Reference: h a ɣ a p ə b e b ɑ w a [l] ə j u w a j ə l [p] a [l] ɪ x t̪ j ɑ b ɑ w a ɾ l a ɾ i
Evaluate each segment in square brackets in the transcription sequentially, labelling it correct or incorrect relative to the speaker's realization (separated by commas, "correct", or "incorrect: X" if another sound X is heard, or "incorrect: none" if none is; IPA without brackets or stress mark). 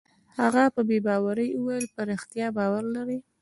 incorrect: ɾ, correct, incorrect: ɾ